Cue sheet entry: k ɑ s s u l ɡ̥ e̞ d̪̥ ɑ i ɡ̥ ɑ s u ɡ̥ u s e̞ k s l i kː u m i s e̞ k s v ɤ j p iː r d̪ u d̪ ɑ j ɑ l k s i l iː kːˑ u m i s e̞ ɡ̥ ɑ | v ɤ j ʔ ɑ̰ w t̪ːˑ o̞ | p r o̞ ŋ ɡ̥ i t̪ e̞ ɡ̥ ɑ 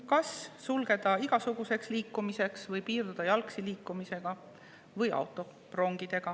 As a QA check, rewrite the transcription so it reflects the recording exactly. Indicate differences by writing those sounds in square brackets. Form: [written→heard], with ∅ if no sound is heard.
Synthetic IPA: k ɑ s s u l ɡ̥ e̞ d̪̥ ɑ i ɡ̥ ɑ s u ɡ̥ u s e̞ k s l [i→iː] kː u m i s e̞ k s v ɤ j p iː r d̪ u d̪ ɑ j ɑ l k s i l iː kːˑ u m i s e̞ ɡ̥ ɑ | v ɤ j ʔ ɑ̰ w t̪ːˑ o̞ | p r o̞ ŋ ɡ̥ i [t̪→d̪] e̞ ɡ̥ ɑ